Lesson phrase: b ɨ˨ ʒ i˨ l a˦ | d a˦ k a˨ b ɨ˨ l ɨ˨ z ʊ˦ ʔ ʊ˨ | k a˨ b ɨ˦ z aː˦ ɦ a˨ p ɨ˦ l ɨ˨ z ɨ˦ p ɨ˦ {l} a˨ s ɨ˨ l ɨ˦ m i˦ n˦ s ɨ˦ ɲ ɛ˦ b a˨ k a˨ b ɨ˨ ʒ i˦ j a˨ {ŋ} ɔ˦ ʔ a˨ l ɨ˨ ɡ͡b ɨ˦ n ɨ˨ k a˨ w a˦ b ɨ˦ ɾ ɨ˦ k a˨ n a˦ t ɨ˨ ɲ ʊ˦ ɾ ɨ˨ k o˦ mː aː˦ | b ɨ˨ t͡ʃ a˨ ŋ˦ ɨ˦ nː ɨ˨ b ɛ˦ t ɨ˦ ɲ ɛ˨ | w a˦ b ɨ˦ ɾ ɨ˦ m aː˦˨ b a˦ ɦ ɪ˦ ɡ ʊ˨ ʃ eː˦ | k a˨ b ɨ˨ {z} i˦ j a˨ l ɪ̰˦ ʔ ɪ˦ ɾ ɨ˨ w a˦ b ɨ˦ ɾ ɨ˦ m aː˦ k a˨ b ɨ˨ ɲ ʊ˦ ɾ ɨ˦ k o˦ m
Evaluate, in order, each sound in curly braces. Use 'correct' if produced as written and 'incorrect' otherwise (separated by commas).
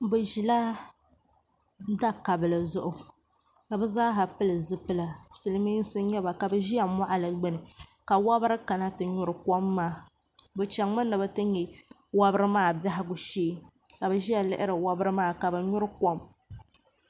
correct, incorrect, incorrect